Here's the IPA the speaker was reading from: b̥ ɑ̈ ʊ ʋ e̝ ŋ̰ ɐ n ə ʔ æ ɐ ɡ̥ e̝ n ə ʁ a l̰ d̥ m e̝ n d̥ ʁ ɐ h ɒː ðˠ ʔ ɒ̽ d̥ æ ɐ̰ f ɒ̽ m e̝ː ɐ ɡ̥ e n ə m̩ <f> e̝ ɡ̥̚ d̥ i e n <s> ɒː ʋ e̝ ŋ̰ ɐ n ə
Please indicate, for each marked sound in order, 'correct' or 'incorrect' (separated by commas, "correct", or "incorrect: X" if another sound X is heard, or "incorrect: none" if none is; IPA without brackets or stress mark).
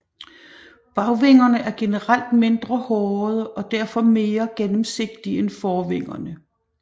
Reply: incorrect: s, incorrect: f